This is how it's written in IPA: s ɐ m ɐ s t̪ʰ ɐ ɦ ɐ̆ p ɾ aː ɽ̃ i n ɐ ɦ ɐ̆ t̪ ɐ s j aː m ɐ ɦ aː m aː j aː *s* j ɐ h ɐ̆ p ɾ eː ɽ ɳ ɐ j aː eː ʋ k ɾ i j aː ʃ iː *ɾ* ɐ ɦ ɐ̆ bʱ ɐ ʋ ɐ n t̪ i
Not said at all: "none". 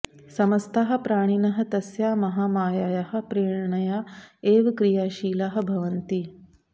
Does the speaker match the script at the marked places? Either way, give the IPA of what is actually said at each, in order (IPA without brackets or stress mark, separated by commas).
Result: none, l